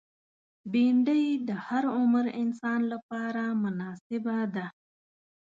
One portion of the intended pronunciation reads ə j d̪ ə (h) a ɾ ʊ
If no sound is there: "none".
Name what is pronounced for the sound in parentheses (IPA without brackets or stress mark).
h